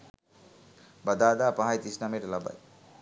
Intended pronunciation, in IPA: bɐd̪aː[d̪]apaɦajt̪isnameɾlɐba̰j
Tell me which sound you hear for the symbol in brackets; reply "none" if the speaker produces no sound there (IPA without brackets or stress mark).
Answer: d̪